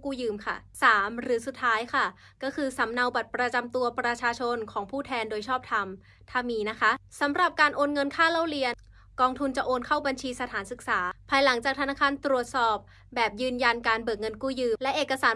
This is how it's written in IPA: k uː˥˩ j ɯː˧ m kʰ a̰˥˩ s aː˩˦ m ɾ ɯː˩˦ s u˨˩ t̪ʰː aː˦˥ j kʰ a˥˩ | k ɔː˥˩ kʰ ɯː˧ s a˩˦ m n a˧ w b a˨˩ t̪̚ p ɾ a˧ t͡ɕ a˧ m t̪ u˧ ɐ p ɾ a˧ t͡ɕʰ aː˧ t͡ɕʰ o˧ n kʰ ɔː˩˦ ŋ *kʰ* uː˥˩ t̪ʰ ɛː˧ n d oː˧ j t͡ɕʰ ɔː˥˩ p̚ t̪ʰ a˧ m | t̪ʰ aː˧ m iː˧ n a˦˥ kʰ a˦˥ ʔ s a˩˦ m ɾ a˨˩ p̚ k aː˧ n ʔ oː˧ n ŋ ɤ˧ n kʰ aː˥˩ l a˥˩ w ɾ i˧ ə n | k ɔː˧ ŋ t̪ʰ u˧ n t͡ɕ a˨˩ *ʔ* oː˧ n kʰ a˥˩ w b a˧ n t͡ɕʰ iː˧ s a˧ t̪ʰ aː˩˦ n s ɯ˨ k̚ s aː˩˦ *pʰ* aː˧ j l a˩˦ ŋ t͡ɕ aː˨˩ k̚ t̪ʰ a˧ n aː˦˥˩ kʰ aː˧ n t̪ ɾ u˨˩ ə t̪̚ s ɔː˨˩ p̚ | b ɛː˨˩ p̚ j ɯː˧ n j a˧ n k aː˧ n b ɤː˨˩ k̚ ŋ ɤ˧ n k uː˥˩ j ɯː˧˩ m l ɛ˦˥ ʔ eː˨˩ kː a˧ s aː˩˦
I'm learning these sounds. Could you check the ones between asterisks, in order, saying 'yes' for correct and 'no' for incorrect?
no, yes, yes

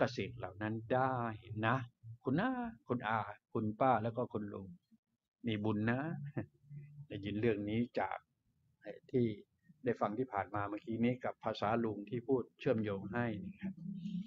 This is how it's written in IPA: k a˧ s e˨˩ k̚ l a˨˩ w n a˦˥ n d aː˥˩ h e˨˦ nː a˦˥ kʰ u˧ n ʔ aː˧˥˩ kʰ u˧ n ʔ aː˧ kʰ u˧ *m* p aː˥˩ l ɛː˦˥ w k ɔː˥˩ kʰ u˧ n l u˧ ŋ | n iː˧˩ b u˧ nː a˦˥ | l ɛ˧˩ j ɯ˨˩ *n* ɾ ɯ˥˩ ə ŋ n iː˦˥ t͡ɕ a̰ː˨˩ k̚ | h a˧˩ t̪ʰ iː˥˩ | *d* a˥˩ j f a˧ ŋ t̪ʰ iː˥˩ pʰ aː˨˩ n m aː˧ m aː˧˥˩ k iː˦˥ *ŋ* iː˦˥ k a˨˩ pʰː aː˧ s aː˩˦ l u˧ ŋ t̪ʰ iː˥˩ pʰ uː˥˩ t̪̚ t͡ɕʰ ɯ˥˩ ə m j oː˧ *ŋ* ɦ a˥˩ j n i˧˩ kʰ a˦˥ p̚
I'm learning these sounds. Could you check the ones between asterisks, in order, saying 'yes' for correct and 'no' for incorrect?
no, yes, yes, no, yes

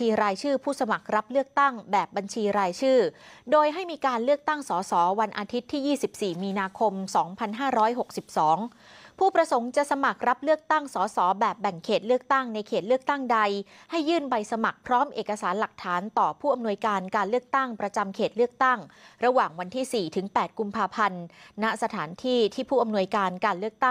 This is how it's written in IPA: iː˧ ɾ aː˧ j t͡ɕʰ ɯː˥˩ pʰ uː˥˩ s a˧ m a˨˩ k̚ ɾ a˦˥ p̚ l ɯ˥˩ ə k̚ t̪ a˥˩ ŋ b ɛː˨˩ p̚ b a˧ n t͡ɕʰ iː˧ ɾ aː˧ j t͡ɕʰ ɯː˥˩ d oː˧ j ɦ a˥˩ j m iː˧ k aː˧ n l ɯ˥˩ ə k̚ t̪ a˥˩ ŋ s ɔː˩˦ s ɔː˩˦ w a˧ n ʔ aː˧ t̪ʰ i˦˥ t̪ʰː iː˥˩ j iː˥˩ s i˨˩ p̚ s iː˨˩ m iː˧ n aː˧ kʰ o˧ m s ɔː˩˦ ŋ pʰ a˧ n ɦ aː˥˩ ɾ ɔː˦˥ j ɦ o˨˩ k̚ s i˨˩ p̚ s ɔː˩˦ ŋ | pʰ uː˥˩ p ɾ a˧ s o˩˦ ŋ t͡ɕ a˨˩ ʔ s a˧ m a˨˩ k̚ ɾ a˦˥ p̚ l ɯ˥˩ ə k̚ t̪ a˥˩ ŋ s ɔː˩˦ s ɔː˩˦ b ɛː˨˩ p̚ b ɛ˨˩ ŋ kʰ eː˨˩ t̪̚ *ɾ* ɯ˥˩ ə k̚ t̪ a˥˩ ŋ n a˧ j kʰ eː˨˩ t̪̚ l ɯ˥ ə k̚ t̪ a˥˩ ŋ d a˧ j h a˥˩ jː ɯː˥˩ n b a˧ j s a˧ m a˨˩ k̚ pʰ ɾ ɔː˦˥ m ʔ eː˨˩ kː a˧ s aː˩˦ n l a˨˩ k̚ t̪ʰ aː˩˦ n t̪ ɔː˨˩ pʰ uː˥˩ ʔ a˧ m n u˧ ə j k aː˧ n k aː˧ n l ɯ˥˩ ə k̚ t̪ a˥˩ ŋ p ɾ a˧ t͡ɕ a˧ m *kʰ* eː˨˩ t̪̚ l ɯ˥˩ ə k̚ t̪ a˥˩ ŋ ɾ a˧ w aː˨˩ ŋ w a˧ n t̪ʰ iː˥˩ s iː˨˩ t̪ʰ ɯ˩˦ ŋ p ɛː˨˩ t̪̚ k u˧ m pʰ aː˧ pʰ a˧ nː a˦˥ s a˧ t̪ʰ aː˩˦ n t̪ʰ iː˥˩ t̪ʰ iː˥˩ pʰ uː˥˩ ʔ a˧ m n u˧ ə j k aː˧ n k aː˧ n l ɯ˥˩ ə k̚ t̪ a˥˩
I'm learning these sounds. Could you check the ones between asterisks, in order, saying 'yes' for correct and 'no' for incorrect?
no, yes

